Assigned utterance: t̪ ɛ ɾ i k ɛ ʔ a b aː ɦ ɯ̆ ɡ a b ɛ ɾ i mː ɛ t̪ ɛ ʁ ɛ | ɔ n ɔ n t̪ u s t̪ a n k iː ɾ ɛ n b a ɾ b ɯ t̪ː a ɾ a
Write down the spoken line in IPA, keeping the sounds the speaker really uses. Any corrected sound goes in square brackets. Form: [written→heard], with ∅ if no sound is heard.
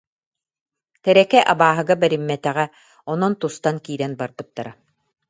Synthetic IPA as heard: t̪ ɛ ɾ [i→ɛ] k ɛ ʔ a b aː ɦ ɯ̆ ɡ a b ɛ ɾ i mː ɛ t̪ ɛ ʁ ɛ | ɔ n ɔ n t̪ u s t̪ a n k iː ɾ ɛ n b a ɾ b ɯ t̪ː a ɾ a